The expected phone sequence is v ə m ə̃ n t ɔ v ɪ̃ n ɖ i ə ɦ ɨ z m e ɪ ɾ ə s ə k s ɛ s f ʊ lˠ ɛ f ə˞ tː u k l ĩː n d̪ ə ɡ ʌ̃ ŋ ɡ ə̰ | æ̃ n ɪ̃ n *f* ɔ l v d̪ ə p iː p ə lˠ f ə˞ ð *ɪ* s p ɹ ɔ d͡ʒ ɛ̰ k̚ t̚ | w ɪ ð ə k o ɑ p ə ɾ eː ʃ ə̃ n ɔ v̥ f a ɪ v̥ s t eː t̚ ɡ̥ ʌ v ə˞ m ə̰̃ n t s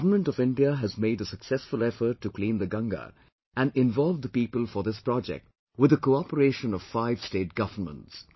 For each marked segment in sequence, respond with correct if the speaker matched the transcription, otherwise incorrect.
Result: incorrect, correct

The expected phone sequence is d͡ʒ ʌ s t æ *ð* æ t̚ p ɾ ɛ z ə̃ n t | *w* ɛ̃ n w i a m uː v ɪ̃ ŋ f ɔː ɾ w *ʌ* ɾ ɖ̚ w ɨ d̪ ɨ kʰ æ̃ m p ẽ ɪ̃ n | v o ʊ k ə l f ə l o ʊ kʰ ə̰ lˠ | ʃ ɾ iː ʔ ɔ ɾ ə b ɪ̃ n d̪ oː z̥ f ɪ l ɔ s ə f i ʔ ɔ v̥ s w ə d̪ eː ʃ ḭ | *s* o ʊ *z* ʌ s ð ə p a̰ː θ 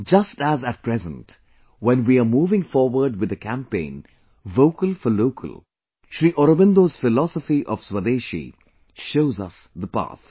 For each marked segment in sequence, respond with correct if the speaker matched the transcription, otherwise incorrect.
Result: incorrect, correct, incorrect, incorrect, correct

